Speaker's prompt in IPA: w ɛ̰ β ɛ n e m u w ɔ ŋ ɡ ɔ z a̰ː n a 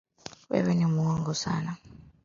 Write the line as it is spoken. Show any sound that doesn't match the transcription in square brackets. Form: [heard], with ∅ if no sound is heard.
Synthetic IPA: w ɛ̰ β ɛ n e m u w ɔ ŋ ɡ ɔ [s] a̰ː n a